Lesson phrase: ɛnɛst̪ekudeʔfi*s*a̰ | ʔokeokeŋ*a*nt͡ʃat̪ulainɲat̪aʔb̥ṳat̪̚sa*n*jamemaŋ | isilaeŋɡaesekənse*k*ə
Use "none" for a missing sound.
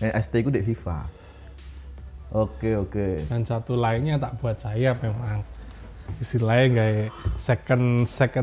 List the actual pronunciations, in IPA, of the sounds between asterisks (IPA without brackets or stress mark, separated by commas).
f, a, none, k